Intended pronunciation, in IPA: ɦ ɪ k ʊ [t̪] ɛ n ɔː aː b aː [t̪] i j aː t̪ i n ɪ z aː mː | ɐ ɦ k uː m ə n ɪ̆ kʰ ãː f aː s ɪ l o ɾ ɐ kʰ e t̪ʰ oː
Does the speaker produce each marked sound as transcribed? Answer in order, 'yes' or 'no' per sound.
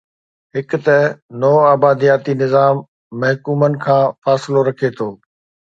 yes, no

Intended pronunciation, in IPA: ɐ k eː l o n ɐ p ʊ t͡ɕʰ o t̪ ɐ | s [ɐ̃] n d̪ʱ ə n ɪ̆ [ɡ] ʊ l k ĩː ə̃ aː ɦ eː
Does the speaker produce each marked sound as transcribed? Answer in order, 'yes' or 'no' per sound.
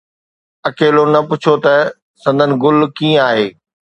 yes, yes

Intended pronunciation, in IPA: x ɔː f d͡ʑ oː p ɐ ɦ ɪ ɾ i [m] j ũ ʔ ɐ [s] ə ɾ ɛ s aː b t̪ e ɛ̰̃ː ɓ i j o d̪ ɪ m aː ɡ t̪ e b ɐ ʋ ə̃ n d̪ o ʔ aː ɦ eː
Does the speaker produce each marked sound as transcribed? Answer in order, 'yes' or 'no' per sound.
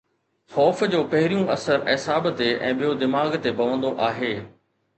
no, yes

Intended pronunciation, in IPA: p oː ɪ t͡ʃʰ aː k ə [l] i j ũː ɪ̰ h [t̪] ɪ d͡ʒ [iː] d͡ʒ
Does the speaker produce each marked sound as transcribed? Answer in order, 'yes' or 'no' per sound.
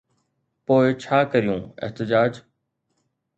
no, yes, no

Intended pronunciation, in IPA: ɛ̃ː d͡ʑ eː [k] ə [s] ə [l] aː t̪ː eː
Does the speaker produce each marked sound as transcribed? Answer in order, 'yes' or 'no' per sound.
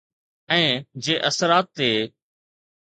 no, yes, no

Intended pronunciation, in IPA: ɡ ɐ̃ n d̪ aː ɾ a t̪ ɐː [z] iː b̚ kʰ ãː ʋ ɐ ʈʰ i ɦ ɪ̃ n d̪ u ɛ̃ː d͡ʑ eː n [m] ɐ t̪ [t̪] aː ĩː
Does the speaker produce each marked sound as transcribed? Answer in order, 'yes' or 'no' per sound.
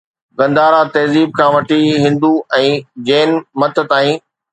yes, yes, yes

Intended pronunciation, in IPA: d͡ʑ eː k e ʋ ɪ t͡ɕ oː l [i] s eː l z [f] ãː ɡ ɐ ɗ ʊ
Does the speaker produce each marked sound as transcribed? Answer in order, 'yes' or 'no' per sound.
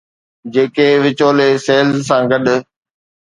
no, no

